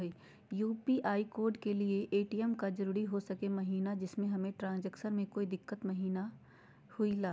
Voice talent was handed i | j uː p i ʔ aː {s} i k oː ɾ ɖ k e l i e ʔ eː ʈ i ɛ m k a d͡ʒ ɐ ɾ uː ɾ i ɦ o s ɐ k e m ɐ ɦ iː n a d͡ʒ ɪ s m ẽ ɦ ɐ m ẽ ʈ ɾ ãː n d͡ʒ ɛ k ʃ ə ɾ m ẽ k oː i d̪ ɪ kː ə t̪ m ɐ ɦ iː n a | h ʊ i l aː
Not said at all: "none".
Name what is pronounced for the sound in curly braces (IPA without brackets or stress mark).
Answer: none